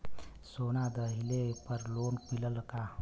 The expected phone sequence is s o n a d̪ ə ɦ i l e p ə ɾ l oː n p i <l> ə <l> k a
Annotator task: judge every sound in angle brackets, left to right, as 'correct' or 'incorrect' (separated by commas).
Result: correct, correct